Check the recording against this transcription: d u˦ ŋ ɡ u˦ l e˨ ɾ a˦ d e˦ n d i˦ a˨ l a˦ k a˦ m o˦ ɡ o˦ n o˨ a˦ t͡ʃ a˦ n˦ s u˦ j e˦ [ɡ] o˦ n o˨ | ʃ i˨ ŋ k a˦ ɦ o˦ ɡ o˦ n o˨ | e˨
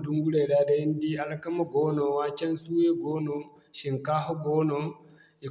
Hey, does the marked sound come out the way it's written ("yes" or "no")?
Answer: yes